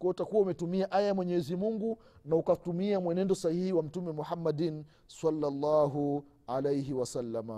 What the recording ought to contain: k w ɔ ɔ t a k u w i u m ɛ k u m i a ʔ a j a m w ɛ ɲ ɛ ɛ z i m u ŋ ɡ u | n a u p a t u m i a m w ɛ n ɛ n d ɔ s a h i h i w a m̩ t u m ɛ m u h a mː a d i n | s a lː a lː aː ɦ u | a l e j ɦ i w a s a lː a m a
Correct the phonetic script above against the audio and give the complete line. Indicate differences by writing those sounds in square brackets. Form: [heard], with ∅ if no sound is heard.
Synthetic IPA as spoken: k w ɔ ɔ t a k u w [a] u m ɛ [t] u m i a ʔ a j a m w ɛ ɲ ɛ ɛ z i m u ŋ ɡ u | n a u [k] a t u m i a m w ɛ n ɛ n d ɔ s a h i h i w a m̩ t u m ɛ m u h a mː a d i n | s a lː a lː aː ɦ u | a l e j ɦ i w a s a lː a m a